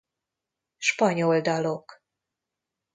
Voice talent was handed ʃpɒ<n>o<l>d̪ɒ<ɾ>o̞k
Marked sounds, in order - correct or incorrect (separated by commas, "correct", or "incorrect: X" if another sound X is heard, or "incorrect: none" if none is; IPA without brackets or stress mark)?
incorrect: ɲ, correct, incorrect: l